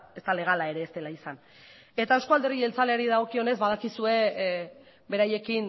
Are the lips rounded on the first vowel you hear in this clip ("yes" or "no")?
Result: no